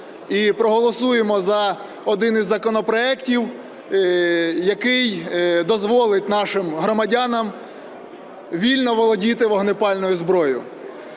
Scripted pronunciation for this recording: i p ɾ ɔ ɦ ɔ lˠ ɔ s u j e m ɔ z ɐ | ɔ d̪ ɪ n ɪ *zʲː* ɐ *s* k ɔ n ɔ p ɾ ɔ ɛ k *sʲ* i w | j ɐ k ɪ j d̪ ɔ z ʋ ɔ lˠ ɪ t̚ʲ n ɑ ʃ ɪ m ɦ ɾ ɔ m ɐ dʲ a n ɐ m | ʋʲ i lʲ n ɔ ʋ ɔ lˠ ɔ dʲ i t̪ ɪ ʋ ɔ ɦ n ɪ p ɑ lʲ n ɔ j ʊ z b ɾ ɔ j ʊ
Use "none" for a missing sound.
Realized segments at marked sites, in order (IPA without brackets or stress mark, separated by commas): zʲː, none, tʲ